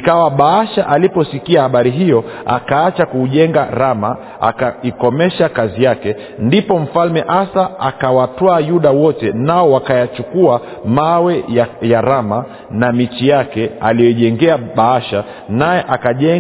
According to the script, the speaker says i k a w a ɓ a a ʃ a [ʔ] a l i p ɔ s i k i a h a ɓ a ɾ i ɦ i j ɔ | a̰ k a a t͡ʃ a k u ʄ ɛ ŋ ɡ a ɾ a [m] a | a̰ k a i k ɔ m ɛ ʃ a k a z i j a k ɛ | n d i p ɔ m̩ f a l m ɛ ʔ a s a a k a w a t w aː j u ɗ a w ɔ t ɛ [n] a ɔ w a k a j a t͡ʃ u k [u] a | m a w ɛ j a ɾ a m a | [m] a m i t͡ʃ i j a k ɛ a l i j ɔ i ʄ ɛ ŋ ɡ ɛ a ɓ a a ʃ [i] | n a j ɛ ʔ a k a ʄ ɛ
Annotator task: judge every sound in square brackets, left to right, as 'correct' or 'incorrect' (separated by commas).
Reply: correct, correct, correct, correct, incorrect, incorrect